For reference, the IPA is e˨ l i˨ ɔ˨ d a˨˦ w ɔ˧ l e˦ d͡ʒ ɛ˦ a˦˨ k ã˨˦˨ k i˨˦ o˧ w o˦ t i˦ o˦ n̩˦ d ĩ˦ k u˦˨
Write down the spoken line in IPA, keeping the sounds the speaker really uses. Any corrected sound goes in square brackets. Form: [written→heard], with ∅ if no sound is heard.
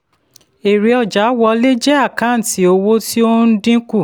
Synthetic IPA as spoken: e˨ [l→ɾ] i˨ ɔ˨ [d→d͡ʒ] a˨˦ w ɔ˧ l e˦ d͡ʒ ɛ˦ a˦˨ k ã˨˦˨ [k→t] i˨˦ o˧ w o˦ t i˦ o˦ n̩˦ d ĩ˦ k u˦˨